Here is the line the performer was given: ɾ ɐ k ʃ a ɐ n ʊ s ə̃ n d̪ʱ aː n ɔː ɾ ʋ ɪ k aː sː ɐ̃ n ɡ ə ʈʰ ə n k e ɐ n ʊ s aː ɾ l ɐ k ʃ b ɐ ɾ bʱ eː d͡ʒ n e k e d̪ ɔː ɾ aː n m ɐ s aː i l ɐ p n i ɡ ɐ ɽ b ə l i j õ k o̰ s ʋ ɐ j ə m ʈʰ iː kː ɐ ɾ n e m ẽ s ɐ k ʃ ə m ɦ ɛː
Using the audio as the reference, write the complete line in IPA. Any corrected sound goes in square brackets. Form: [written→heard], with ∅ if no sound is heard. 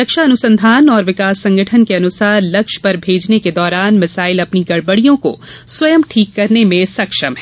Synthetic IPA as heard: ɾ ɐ k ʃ a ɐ n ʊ s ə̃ n d̪ʱ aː n ɔː ɾ ʋ ɪ k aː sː ɐ̃ [n→ŋ] ɡ ə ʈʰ ə n k e ɐ n ʊ s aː ɾ l ɐ k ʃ [b→p] ɐ ɾ bʱ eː d͡ʒ n e k e d̪ ɔː ɾ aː n m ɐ s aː [i→ɪ] l ɐ p n i ɡ ɐ ɽ b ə [l→ɽ] i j õ k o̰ s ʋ ɐ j ə m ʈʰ iː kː ɐ ɾ n e m ẽ s ɐ k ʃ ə m ɦ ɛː